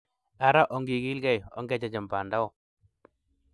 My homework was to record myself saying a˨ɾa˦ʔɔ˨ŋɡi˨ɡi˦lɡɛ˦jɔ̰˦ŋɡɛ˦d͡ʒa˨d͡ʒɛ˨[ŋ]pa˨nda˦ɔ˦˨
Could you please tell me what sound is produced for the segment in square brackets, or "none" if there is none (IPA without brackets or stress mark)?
m